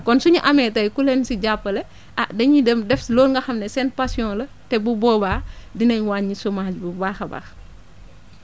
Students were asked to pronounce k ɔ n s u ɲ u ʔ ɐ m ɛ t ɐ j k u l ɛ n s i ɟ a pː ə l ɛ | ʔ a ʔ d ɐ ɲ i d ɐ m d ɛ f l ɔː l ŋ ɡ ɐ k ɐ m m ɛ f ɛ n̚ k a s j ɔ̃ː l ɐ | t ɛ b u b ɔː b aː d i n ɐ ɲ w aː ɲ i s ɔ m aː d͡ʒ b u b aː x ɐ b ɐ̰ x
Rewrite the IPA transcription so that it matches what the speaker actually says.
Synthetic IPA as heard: k ɔ n s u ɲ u ʔ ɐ m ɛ t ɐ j k u l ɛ n s i ɟ a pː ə l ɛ | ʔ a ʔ d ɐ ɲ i d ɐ m d ɛ f l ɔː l ŋ ɡ ɐ x ɐ m n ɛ s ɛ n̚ p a s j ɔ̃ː l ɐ | t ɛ b u b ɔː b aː d i n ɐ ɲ w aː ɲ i s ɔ m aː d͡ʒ b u b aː x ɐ b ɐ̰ x